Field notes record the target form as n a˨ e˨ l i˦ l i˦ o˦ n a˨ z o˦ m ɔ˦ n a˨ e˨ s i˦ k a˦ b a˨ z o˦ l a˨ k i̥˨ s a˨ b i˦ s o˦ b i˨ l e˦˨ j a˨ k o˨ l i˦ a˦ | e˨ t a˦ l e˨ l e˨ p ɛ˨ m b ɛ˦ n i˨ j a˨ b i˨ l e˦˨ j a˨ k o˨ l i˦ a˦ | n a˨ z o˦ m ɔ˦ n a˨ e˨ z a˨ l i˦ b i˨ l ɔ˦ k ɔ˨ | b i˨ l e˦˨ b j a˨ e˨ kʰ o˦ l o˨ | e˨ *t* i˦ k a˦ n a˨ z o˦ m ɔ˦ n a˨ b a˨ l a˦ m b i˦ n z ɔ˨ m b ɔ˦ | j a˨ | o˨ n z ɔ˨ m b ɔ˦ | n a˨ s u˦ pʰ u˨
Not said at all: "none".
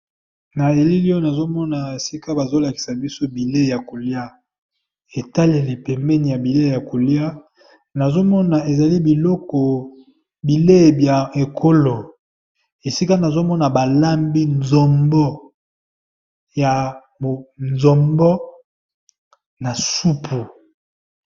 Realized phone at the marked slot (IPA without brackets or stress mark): s